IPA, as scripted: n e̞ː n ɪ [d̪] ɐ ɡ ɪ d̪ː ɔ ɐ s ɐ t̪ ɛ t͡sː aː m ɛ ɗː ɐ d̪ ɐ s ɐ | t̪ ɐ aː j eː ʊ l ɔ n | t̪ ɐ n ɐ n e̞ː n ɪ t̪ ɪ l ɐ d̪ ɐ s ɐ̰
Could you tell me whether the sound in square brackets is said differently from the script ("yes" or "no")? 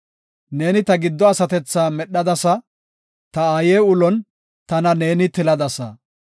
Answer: yes